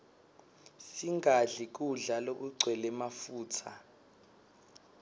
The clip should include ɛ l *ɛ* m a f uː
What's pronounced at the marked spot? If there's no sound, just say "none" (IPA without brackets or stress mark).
ɛ